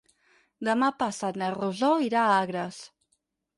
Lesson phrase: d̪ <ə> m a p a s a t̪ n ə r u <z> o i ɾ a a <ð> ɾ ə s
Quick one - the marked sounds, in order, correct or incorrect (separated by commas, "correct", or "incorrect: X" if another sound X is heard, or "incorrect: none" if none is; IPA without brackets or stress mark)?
correct, correct, incorrect: ɣ